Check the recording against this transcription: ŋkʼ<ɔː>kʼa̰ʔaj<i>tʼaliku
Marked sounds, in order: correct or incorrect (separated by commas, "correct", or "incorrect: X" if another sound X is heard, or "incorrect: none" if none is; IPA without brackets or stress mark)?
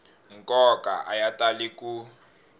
incorrect: ɔ, incorrect: a